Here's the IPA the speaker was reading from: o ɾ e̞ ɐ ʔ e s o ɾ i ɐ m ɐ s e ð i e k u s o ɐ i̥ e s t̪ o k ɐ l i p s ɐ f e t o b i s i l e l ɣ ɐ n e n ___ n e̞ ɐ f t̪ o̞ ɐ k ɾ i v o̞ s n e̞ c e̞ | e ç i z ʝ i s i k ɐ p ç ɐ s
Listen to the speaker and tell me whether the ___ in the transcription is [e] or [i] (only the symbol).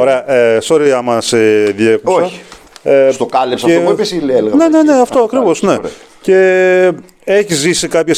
e